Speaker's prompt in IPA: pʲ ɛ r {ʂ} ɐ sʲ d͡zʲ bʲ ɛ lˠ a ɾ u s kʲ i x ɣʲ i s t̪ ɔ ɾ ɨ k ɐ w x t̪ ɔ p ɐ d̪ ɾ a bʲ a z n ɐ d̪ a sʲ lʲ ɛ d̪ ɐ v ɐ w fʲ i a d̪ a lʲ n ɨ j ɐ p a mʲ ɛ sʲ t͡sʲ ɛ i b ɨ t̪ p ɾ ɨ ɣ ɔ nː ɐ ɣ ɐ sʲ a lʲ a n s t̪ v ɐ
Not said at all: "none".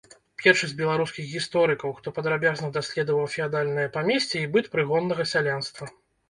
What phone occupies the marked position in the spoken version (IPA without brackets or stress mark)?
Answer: ʂ